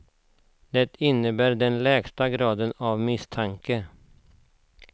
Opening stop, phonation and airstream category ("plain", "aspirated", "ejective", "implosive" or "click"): plain